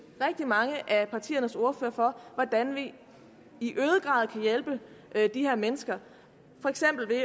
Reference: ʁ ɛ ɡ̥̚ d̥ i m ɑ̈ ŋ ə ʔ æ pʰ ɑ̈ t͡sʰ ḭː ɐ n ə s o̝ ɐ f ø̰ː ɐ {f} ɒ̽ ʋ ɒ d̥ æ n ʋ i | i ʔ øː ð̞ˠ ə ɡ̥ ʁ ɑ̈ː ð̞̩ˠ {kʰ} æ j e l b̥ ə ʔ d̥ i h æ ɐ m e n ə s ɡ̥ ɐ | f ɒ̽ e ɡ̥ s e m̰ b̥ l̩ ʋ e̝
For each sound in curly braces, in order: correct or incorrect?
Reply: correct, correct

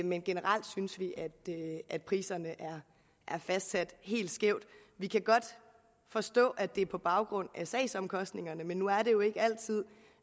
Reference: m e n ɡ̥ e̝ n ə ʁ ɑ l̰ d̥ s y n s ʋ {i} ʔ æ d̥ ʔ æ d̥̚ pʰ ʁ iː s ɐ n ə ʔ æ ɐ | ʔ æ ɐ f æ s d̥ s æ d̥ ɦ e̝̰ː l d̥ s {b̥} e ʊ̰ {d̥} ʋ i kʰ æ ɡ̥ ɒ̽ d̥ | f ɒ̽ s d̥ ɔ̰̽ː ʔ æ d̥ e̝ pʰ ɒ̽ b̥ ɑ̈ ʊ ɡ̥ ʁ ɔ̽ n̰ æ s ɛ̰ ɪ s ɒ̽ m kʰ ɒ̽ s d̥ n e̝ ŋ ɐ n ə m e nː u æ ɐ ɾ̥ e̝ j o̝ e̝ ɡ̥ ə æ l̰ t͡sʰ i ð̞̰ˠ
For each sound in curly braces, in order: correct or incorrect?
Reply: correct, incorrect: ɡ̥, correct

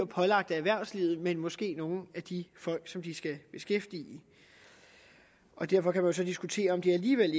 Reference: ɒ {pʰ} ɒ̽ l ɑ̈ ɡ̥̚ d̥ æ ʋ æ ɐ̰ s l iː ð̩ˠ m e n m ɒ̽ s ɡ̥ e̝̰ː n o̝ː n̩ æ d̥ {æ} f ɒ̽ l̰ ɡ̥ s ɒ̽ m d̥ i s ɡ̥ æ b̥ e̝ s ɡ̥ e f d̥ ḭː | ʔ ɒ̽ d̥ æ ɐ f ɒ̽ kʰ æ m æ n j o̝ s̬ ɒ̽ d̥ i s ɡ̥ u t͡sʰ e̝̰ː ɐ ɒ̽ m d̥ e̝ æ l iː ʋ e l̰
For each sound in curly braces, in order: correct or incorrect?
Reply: correct, incorrect: i

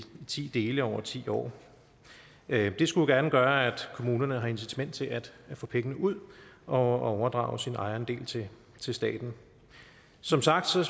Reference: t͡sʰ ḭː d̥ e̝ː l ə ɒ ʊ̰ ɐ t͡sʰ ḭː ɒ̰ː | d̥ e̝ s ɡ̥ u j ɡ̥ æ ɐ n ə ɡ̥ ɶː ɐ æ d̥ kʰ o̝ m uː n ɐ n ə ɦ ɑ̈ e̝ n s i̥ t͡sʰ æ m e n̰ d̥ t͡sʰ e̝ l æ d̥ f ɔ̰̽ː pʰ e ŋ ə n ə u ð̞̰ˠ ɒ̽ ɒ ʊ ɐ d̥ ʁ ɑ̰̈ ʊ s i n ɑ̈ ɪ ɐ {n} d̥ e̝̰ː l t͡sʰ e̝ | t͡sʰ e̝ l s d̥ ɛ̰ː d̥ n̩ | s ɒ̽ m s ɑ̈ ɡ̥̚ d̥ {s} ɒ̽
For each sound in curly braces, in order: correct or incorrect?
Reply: correct, correct

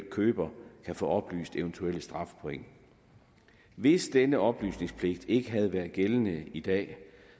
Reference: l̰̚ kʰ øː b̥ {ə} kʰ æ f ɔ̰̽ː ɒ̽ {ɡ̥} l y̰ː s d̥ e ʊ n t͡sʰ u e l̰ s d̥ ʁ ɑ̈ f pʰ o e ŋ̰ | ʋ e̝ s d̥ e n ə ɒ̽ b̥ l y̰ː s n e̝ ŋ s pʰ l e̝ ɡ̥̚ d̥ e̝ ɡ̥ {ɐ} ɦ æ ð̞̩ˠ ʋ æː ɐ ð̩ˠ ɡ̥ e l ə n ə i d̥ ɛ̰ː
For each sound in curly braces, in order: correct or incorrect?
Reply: incorrect: ɐ, incorrect: b̥, incorrect: ə

